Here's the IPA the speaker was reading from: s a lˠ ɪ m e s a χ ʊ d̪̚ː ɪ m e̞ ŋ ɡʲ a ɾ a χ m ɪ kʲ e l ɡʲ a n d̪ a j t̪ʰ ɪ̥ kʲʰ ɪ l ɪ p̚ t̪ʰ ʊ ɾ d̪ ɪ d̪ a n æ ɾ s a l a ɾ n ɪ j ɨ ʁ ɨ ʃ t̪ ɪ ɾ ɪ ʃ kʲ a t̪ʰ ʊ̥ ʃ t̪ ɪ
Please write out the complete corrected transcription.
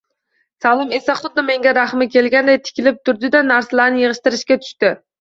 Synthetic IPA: s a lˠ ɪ m e s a χ ʊ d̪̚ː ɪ m e̞ ŋ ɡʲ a ɾ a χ m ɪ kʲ e l ɡʲ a n d̪ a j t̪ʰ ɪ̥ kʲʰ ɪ l ɪ p̚ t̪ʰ ʊ ɾ d̪ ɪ d̪ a n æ ɾ s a l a ɾ n ɪ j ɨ ʁ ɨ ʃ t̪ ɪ ɾ ɪ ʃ kʲ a t̪ʰ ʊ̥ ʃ t̪ ɪ